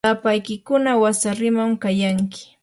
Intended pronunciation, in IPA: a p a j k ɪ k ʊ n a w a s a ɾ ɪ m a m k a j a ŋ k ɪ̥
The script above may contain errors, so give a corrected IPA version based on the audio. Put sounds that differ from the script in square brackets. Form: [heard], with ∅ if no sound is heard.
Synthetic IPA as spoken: a p a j k ɪ k ʊ n a w a s a ɾ ɪ m a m k a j a ŋ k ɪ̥